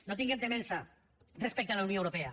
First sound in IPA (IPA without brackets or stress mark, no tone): n